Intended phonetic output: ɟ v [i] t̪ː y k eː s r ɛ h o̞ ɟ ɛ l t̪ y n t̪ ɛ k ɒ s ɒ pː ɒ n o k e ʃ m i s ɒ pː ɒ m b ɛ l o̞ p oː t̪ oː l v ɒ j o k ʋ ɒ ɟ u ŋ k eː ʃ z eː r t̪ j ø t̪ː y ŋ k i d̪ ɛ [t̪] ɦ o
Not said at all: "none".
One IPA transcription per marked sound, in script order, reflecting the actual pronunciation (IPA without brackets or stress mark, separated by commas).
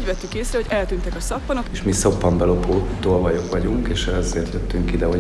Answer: ɛ, none